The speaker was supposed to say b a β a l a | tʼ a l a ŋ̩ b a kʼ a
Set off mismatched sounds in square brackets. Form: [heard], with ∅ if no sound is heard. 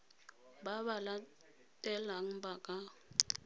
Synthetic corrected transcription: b a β a l a | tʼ [ɛ] l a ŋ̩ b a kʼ a